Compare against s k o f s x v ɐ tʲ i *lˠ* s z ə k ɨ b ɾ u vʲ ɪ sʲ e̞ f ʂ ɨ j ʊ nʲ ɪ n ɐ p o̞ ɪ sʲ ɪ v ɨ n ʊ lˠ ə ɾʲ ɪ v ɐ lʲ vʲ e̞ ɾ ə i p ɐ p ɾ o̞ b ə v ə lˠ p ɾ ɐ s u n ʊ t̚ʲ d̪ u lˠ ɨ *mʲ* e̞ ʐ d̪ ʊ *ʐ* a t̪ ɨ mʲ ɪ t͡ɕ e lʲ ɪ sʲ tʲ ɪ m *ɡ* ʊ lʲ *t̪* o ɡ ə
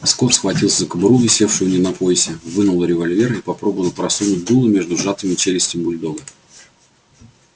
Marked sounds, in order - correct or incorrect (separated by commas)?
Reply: correct, correct, correct, incorrect, incorrect